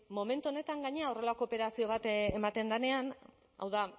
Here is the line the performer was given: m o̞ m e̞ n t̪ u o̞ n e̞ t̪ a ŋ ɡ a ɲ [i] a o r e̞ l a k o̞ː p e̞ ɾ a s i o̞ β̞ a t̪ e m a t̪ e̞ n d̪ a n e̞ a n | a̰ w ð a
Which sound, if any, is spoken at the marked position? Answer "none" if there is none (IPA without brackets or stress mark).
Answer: e